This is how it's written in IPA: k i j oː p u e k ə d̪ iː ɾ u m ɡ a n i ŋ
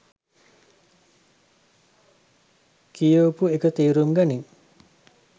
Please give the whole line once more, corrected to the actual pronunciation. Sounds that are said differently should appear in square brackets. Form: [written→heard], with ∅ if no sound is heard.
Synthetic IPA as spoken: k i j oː p u e k ə [d̪→t̪] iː ɾ u m ɡ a n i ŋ

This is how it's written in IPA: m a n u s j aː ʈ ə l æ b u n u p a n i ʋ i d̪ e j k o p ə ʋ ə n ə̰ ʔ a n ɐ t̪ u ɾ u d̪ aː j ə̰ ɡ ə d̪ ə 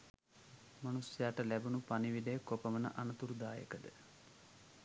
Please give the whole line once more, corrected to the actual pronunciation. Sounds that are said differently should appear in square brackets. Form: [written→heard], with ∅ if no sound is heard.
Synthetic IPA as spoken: m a n u s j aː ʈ ə l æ b u n u p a n i ʋ i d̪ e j k o p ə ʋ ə n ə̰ ʔ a n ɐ t̪ u ɾ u d̪ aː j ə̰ [ɡ→k] ə d̪ ə

